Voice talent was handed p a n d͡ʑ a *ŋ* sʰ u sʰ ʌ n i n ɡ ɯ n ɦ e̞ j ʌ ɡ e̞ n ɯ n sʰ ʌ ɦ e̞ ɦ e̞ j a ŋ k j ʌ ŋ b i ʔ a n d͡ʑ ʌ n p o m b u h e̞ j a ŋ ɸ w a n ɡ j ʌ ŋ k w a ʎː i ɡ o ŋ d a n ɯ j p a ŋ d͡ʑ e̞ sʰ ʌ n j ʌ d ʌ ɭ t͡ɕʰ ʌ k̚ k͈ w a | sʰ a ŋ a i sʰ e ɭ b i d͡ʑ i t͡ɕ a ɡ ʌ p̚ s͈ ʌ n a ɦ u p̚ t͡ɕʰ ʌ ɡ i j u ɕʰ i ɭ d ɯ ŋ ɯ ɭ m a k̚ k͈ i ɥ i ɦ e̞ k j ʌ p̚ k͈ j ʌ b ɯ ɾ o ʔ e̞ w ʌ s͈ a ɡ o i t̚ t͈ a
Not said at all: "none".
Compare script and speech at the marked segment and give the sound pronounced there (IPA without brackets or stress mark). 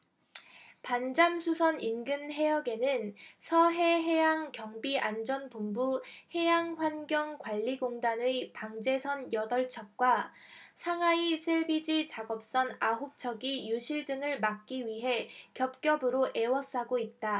m